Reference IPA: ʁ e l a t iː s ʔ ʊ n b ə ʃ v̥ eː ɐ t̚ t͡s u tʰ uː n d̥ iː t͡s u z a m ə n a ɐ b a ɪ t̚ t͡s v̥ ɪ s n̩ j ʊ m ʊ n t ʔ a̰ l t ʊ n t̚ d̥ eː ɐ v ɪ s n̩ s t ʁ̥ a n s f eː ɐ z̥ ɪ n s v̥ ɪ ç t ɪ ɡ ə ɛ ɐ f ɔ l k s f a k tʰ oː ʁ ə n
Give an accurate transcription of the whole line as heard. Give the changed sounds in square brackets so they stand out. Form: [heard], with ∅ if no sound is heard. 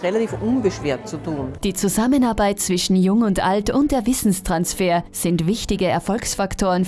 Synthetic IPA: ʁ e l a t iː [f] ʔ ʊ n b ə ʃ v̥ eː ɐ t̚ t͡s u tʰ uː n d̥ iː t͡s u z a m ə n a ɐ b a ɪ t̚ t͡s v̥ ɪ [ʃ] n̩ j ʊ [ŋ] ʊ n t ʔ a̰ l t ʊ n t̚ d̥ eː ɐ v ɪ s n̩ s t ʁ̥ a n s f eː ɐ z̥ ɪ n [t] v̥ ɪ ç t ɪ ɡ ə ɛ ɐ f ɔ l k s f a k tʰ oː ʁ ə n